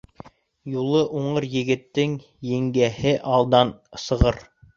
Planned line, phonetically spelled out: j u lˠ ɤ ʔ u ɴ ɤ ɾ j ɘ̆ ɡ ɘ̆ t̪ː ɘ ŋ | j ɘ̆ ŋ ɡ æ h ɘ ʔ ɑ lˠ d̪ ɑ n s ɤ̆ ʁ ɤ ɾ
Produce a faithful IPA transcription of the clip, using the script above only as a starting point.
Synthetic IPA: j u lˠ ɤ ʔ u ɴ ɤ ɾ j ɘ̆ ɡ ɘ̆ t̪ː ɘ ŋ | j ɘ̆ ŋ ɡ æ h ɘ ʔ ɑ lˠ d̪ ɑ n s ɤ̆ ʁ ɤ ɾ